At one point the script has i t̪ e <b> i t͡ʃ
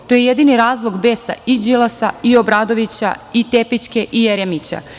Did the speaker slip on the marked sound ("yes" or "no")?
yes